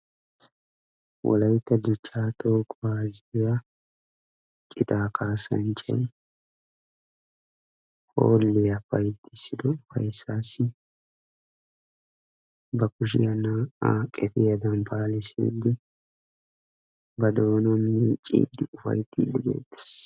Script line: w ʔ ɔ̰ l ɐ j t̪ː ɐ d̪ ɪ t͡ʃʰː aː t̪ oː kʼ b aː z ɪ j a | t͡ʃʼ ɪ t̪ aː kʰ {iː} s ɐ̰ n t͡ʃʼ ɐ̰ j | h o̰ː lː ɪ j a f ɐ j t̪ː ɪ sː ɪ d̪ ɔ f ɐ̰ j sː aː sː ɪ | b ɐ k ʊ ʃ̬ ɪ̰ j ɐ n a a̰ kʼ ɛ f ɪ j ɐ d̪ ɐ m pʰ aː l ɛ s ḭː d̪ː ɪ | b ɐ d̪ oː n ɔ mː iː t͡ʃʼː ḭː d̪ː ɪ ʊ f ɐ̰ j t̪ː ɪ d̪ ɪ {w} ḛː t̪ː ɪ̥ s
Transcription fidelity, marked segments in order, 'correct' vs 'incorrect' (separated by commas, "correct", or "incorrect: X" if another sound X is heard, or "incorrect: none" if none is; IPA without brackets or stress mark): incorrect: aː, incorrect: b